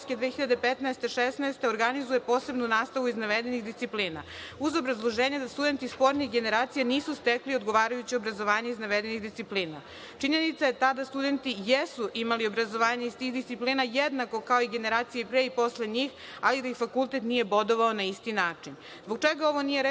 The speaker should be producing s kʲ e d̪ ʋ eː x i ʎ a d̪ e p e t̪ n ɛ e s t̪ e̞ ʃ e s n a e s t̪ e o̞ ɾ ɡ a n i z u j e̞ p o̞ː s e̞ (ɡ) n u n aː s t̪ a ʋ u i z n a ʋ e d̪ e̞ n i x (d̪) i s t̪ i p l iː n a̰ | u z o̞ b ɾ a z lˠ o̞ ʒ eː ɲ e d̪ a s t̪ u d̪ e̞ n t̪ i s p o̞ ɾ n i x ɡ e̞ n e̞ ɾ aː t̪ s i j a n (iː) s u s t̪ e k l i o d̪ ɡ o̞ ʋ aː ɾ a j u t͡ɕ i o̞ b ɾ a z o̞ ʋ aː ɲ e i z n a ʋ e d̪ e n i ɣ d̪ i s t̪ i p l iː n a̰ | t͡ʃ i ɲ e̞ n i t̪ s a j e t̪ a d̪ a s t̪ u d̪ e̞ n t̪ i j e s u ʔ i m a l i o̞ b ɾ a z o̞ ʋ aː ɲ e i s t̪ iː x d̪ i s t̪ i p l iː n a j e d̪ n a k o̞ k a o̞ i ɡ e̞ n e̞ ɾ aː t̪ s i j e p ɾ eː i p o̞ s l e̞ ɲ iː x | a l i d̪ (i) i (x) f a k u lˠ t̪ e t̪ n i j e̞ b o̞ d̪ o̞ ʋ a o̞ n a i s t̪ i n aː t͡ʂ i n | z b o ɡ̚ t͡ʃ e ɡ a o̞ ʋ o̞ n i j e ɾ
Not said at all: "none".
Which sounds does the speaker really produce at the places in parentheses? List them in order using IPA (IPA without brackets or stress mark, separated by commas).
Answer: b, d̪, iː, a, x